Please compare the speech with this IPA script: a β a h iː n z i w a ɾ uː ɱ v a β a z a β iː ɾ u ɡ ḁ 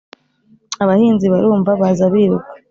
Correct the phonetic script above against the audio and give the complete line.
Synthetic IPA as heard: a β a h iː n z i β a ɾ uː ɱ v a β a z a β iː ɾ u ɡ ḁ